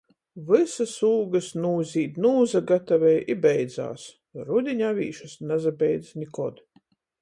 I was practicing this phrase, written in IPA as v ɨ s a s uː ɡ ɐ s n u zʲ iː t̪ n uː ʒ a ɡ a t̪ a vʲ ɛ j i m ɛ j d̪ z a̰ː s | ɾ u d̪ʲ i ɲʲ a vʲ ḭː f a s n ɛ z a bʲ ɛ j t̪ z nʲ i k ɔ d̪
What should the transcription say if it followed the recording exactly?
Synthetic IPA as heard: v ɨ s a s uː ɡ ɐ s n uː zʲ iː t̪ n uː z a ɡ a t̪ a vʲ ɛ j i b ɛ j d̪ z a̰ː s | ɾ u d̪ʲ i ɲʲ a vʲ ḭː ʃ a s n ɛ z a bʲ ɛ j d̪ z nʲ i k ɔ d̪